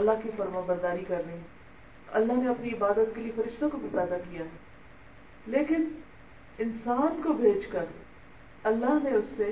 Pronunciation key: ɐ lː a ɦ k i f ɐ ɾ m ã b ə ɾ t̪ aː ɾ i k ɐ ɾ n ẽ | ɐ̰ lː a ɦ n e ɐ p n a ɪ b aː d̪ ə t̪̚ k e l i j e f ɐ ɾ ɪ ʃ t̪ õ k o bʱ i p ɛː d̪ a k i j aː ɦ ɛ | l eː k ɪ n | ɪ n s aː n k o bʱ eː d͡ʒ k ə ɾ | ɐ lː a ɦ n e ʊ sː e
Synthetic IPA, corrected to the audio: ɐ lː a ɦ k i f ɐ ɾ m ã b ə ɾ d̪ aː ɾ i k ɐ ɾ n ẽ | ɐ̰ lː a ɦ n e ɐ p n i ɪ b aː d̪ ə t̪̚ k e l i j e f ɐ ɾ ɪ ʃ t̪ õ k o bʱ i p ɛː d̪ a k i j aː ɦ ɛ | l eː k ɪ n | ɪ n s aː n k o bʱ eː d͡ʒ k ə ɾ | ɐ lː a ɦ n e ʊ sː e